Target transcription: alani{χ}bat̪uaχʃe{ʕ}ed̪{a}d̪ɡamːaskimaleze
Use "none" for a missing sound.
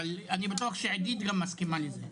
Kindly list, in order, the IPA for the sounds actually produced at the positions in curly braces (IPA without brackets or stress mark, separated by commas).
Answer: none, ʕ, i